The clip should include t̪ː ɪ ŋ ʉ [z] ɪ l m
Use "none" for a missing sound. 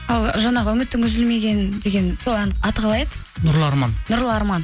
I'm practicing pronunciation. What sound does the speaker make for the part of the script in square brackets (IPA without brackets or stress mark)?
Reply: z